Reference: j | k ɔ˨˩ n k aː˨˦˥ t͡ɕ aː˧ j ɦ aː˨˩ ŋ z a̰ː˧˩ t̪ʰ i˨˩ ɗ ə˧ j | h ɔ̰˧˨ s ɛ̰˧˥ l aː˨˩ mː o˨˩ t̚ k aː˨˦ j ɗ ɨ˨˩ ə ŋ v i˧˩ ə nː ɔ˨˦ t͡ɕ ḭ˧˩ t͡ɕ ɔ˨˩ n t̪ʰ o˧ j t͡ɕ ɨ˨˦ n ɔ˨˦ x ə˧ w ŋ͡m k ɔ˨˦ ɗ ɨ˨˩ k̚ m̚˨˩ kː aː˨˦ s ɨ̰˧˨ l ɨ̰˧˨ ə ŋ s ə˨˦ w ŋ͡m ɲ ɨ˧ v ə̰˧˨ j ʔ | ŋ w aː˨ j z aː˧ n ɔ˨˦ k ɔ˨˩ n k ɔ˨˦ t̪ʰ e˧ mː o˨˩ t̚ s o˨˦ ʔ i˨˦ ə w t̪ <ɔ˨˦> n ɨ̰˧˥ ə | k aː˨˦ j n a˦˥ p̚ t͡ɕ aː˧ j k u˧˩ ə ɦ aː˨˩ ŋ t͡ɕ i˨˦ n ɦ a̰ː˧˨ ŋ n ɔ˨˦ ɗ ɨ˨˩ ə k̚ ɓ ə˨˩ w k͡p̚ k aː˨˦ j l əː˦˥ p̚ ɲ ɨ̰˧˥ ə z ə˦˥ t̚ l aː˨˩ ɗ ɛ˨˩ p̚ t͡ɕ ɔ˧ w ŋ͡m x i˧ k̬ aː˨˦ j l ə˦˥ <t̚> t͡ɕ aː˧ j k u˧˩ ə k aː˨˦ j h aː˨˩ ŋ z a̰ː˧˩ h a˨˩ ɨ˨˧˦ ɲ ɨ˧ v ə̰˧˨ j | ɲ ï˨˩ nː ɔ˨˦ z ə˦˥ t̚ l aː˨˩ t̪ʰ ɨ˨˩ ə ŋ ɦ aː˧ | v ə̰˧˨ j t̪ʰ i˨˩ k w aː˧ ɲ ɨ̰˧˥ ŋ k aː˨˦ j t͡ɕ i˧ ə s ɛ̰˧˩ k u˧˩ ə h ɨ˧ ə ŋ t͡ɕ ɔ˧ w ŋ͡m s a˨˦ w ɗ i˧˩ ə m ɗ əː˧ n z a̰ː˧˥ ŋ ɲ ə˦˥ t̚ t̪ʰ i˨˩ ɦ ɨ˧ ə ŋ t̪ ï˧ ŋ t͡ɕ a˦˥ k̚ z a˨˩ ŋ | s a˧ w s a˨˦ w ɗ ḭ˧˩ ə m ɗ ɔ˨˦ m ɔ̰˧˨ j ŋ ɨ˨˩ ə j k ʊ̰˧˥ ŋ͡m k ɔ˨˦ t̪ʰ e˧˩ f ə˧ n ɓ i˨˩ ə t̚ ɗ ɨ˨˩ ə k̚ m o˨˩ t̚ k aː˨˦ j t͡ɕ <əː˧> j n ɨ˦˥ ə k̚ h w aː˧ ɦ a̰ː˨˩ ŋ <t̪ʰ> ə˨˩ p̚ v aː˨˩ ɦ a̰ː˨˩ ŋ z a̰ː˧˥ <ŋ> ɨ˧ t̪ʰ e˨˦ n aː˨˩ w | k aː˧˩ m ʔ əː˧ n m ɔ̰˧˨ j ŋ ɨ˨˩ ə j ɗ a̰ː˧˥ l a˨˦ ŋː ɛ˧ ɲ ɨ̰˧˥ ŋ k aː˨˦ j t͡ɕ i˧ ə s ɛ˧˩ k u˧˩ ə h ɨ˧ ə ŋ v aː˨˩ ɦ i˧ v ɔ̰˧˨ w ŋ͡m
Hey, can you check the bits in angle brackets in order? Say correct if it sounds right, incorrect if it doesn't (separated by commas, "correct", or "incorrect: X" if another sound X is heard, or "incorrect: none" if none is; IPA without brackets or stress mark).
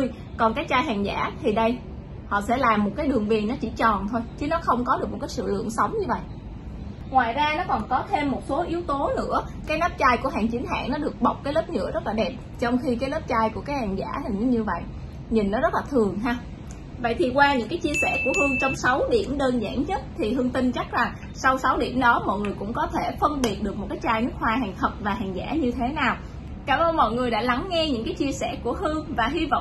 incorrect: o˨˦, incorrect: p̚, incorrect: aː˧, correct, incorrect: ɲ